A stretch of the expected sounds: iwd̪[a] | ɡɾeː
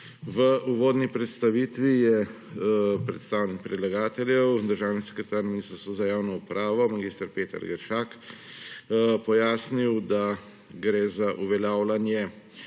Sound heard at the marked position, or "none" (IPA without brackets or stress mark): a